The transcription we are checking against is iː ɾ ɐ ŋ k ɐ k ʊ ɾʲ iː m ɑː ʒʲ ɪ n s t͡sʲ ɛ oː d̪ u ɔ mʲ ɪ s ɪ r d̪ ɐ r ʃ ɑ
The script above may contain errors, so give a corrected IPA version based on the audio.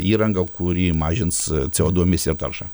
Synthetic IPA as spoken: iː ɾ ɐ ŋ ɡ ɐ k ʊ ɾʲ iː m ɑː ʒʲ ɪ n s t͡sʲ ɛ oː d̪ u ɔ mʲ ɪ s ɪ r t̪ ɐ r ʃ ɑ